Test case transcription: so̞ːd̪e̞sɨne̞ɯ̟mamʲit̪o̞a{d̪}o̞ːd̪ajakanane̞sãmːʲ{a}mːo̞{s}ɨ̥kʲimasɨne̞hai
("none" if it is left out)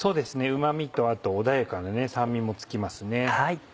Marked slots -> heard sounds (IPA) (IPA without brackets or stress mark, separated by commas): t̪, i, t͡s